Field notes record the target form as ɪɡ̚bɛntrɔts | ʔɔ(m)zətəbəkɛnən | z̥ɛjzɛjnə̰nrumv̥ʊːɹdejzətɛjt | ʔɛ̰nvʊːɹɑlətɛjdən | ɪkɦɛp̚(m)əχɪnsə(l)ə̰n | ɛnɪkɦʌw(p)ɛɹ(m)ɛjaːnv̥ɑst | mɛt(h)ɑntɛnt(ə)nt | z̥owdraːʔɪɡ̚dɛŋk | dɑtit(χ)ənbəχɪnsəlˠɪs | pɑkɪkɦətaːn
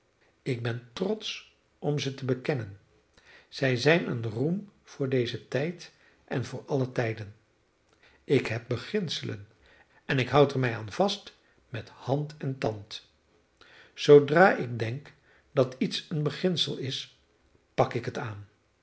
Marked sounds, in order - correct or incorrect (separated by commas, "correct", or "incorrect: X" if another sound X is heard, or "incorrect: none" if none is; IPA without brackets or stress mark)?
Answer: correct, incorrect: b, correct, incorrect: t, correct, correct, incorrect: ɑ, incorrect: s